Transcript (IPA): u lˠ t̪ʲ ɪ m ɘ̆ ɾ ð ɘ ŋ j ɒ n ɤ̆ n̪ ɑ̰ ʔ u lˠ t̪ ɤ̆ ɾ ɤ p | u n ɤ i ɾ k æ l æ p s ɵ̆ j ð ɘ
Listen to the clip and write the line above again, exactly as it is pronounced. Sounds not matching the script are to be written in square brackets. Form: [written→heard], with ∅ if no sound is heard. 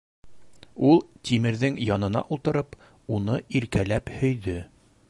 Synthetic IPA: u lˠ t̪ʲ [ɪ→i] m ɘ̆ ɾ ð ɘ ŋ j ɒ n ɤ̆ n̪ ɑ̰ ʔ u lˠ t̪ ɤ̆ ɾ ɤ p | u n ɤ i ɾ k æ l æ p [s→h] ɵ̆ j ð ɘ